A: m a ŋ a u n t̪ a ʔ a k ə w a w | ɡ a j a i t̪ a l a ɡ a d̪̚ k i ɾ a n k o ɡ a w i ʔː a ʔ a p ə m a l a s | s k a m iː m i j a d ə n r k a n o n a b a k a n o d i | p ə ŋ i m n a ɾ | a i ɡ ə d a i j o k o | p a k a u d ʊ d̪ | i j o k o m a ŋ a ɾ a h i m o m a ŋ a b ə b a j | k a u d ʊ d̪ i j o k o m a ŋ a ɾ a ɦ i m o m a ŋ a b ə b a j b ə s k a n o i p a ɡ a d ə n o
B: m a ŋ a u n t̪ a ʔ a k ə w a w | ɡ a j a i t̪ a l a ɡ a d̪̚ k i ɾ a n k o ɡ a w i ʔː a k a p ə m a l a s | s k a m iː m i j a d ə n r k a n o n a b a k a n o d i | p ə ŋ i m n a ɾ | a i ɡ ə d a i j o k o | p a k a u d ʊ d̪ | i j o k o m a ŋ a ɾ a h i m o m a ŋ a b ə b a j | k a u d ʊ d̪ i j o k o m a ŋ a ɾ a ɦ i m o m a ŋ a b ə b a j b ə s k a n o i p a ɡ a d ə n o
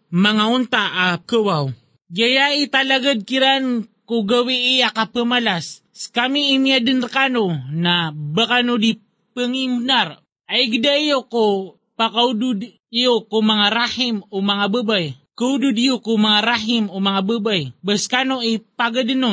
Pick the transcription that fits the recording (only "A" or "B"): B